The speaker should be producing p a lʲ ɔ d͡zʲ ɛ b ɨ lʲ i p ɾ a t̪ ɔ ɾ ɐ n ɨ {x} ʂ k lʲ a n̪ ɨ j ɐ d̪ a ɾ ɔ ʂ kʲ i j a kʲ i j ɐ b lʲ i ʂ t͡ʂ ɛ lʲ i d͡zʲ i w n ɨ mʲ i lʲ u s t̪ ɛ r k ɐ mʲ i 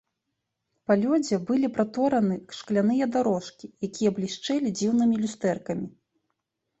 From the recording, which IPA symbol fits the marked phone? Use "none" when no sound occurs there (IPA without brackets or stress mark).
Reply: k